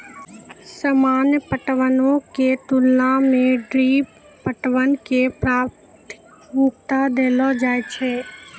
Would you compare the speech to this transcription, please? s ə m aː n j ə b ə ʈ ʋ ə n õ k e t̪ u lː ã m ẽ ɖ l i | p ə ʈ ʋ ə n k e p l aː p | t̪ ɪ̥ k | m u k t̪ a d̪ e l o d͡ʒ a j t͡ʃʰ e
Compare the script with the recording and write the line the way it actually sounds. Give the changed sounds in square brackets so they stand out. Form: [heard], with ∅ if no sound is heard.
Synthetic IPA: s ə m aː n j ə [p] ə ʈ ʋ ə n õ k e t̪ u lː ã m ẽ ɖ [ɾ] i | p ə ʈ ʋ ə n k e p [ɾ] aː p | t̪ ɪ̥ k | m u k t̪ a d̪ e l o d͡ʒ a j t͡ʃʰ e